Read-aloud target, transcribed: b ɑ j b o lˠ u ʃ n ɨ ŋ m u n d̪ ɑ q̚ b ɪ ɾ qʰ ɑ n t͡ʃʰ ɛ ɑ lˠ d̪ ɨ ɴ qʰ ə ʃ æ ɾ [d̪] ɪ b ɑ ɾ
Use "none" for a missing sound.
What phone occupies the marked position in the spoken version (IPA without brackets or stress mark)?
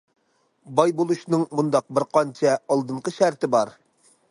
t̪